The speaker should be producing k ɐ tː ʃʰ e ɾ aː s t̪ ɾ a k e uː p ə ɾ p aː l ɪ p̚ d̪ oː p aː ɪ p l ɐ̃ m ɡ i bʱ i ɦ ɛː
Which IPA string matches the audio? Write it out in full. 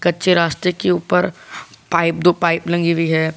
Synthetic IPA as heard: k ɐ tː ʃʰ e ɾ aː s t̪ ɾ e k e uː p ə ɾ p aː ɪ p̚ d̪ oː p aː ɪ p l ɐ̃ ŋ ɡ i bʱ i ɦ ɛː